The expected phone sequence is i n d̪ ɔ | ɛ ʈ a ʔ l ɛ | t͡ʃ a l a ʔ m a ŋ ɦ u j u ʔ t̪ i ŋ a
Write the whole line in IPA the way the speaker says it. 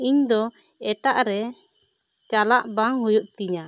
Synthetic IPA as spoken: i ɲ d̪ ɔ | ɛ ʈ a ʔ ɾ ɛ | t͡ʃ a l a ʔ b a ŋ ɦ u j u ʔ t̪ i ɲ a